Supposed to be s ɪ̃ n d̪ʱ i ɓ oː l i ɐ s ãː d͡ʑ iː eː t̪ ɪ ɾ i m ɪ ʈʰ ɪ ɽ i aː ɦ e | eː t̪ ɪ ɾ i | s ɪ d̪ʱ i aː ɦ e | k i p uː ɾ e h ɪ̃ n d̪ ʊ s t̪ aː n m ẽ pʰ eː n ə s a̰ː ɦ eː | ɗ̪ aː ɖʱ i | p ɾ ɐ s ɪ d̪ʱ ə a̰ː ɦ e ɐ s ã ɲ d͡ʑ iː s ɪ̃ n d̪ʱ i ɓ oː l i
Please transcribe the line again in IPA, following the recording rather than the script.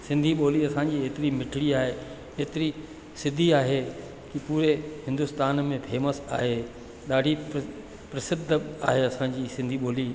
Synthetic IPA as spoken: s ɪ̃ n d̪ʱ i ɓ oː l i ɐ s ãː d͡ʑ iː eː t̪ ɪ ɾ i m ɪ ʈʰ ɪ ɽ i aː ɦ e | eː t̪ ɪ ɾ i | s ɪ d̪ʱ i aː ɦ e | k i p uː ɾ e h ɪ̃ n d̪ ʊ s t̪ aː n m ẽ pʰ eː m ə s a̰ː ɦ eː | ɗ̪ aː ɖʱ i | p ɾ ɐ s ɪ d̪ʱ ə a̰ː ɦ e ɐ s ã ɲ d͡ʑ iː s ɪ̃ n d̪ʱ i ɓ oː l i